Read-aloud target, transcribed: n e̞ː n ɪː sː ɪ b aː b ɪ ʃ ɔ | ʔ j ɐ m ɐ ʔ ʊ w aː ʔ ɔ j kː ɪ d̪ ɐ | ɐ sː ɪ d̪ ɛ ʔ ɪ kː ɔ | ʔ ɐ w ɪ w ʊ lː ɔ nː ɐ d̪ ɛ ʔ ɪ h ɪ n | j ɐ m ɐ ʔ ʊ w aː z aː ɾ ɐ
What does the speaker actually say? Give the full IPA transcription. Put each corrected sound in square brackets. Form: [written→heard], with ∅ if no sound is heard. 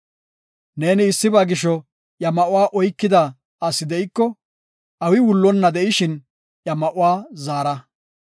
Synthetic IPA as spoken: n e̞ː n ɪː sː ɪ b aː [b→ɡ] ɪ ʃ ɔ | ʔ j ɐ m ɐ ʔ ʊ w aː ʔ ɔ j kː ɪ d̪ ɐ | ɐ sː ɪ d̪ ɛ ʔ ɪ kː ɔ | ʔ ɐ w ɪ w ʊ lː ɔ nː ɐ d̪ ɛ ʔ ɪ [h→ʃ] ɪ n | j ɐ m ɐ ʔ ʊ w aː z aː ɾ ɐ

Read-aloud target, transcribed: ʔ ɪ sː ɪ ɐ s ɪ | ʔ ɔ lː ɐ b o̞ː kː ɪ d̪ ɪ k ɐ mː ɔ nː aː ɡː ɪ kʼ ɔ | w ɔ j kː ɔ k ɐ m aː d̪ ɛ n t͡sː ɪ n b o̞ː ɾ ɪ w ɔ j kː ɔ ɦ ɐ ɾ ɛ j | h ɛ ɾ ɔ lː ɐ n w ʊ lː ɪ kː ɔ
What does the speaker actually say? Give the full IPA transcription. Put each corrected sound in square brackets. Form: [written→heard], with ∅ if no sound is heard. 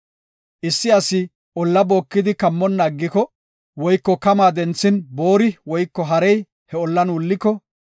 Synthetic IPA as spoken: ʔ ɪ sː ɪ ɐ s ɪ | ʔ ɔ lː ɐ b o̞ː kː ɪ d̪ ɪ k ɐ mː ɔ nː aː ɡː ɪ [kʼ→k] ɔ | w ɔ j kː ɔ k ɐ m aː d̪ ɛ n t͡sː ɪ n b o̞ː ɾ ɪ w ɔ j kː ɔ ɦ ɐ ɾ ɛ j | h ɛ [ɾ→∅] ɔ lː ɐ n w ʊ lː ɪ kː ɔ

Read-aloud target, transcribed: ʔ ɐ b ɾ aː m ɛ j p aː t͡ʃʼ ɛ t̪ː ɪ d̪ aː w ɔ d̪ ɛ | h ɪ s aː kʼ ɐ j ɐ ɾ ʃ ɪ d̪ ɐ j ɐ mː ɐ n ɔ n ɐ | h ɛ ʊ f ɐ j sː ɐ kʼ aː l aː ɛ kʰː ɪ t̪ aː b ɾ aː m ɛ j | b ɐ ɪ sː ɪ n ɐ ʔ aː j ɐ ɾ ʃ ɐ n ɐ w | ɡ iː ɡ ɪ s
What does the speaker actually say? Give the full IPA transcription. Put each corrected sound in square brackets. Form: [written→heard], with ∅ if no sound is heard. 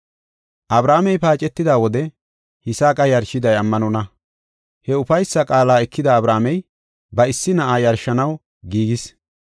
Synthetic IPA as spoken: ʔ ɐ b ɾ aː m ɛ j p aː t͡ʃʼ ɛ t̪ː ɪ d̪ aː w ɔ d̪ ɛ | h ɪ s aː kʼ ɐ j ɐ ɾ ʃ ɪ d̪ ɐ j ɐ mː ɐ n ɔ n ɐ | h ɛ ʊ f ɐ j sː ɐ kʼ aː l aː ɛ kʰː ɪ [t̪→d̪] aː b ɾ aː m ɛ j | b ɐ ɪ sː ɪ n ɐ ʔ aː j ɐ ɾ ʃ ɐ n ɐ w | ɡ iː ɡ ɪ s

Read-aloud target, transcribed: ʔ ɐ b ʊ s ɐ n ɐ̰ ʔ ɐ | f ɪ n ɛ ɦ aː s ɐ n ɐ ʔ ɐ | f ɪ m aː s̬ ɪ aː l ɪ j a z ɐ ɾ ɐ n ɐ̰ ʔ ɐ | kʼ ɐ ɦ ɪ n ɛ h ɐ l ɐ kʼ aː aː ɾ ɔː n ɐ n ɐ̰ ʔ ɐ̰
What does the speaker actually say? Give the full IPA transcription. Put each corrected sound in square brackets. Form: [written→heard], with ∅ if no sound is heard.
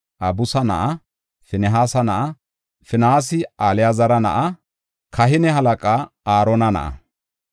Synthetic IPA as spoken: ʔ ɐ b ʊ s ɐ n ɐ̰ ʔ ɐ | f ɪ n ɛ ɦ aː s ɐ n ɐ ʔ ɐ | f ɪ [m→n] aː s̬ ɪ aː l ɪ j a z ɐ ɾ ɐ n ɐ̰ ʔ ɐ | [kʼ→k] ɐ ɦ ɪ n ɛ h ɐ l ɐ kʼ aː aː ɾ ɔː n ɐ n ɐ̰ ʔ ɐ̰

